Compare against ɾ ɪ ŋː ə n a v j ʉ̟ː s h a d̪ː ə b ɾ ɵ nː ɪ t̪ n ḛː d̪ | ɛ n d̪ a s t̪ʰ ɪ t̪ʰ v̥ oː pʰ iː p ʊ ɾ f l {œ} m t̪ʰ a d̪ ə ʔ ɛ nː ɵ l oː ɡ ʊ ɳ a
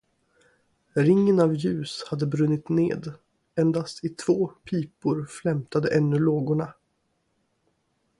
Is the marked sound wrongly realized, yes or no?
yes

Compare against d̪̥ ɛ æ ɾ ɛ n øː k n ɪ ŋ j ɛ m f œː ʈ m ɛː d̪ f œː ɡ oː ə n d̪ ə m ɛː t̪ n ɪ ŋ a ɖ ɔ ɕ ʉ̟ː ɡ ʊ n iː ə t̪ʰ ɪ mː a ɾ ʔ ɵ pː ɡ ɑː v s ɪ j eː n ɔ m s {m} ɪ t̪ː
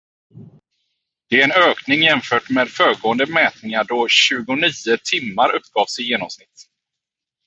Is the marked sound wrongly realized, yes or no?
yes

